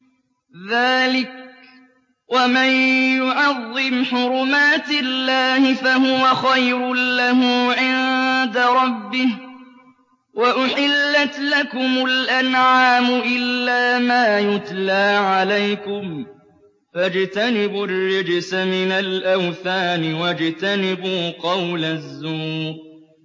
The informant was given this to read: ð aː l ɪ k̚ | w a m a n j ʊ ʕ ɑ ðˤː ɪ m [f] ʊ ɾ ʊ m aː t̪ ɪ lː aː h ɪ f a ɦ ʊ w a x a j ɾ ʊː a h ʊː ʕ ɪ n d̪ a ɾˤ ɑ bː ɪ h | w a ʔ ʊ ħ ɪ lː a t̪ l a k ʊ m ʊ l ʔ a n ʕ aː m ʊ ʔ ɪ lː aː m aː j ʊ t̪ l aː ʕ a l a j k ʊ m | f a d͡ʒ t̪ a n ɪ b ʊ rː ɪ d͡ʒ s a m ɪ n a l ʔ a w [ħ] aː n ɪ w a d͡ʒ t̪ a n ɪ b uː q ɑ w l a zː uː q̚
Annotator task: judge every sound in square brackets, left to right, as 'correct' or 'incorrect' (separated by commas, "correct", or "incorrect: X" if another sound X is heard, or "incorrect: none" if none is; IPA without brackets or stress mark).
incorrect: ħ, incorrect: θ